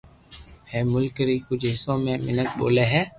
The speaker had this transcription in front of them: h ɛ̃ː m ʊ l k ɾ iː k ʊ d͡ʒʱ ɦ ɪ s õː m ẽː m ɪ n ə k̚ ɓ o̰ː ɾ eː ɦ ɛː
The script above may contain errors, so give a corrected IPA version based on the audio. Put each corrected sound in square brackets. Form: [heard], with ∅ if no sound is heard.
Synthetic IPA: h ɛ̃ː m ʊ l k ɾ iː k ʊ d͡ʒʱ ɦ ɪ s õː m ẽː m ɪ n ə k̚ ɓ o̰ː [l] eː ɦ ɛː

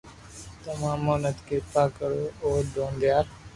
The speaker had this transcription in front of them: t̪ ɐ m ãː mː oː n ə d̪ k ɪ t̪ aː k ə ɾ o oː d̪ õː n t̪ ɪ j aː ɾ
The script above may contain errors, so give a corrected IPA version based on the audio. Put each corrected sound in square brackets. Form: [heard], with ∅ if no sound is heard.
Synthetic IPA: t̪ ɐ m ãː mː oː n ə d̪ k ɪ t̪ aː k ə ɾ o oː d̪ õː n [d̪] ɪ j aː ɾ

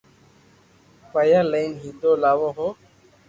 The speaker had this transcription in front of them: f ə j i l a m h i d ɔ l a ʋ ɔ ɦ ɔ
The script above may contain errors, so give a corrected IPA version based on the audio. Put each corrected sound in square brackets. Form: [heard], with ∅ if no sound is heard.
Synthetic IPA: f [a] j [a] l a [n] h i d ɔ l a [w] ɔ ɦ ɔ

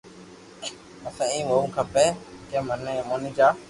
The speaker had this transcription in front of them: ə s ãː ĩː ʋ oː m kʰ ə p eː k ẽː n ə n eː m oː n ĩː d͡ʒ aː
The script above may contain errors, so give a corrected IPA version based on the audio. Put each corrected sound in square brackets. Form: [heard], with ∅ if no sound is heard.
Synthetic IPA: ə s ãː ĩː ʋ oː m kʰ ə p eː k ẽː [m] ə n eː m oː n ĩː d͡ʒ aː

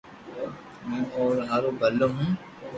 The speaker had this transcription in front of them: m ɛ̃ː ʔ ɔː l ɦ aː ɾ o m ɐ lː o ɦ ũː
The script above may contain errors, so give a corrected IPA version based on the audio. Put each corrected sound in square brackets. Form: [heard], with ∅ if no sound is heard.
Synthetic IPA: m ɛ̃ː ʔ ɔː [ɾ] ɦ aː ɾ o [b] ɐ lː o ɦ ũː

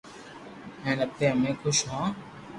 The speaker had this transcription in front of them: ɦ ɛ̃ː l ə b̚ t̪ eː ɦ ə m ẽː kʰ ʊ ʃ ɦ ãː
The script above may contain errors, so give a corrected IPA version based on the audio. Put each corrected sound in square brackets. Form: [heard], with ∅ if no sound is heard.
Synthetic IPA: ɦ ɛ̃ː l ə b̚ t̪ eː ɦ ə m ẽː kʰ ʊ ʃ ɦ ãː

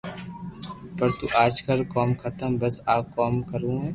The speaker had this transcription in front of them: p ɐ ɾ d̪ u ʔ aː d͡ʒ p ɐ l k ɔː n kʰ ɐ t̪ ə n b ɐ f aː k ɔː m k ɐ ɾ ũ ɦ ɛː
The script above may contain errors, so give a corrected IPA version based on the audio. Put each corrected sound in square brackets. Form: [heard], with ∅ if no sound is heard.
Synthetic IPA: p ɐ ɾ [t̪] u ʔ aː d͡ʒ [k] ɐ l k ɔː [m] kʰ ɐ t̪ ə [m] b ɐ [s] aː k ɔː m k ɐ ɾ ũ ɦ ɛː

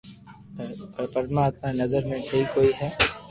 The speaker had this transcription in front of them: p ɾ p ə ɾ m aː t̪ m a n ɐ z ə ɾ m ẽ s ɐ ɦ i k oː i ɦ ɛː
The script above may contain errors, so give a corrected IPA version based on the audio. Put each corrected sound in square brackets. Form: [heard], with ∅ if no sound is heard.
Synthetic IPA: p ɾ p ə ɾ m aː t̪ m a n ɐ z ə ɾ m ẽ s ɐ ɦ i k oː i ɦ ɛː

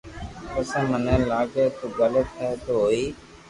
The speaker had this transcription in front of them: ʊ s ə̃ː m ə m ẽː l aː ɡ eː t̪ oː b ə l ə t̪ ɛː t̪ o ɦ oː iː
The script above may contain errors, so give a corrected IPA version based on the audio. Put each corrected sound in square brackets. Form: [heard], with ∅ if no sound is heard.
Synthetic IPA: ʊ s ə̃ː m ə [n] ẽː l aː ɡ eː t̪ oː [ɡ] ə l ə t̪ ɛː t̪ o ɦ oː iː

